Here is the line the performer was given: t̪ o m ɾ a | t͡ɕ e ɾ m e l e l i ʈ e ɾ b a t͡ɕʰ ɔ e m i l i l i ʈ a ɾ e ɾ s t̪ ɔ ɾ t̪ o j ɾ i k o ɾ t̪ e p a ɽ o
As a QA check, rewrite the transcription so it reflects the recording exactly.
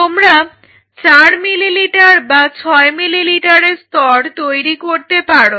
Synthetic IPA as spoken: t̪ o m ɾ a | t͡ɕ a ɾ m i l i l i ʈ a ɾ b a t͡ɕʰ ɔ e m i l i l i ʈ a ɾ e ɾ s t̪ ɔ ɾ t̪ o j ɾ i k o ɾ t̪ e p a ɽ o